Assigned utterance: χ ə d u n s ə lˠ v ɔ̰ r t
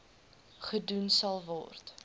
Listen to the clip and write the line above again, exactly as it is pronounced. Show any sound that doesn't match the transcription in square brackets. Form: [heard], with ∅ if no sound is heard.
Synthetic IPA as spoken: χ ə d u n s [ɐ] lˠ v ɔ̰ r t